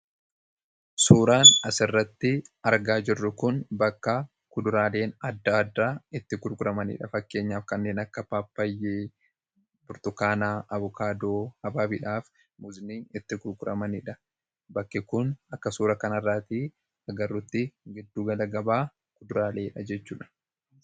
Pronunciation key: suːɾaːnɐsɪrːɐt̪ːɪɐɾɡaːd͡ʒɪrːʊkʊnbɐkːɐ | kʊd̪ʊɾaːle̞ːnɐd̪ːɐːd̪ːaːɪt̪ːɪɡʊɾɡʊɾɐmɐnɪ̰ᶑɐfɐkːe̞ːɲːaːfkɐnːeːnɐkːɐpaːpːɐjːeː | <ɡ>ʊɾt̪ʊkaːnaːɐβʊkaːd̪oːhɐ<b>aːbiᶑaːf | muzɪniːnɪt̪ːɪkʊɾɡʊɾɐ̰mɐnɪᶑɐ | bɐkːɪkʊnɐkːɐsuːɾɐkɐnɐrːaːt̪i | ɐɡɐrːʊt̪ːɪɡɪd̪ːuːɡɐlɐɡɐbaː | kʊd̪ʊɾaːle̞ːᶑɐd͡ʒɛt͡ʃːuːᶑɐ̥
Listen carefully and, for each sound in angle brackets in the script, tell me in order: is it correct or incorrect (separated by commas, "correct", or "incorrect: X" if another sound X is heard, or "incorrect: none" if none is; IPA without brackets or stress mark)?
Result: incorrect: b, correct